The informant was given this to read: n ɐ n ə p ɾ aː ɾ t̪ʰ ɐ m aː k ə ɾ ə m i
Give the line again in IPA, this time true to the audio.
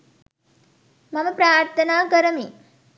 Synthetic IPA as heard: m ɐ m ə p ɾ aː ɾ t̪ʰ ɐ n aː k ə ɾ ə m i